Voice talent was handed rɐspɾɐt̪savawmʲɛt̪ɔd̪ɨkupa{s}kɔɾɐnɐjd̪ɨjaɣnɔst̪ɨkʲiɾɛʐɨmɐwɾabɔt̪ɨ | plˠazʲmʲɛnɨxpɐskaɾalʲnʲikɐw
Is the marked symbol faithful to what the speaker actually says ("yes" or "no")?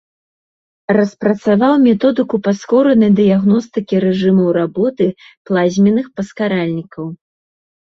yes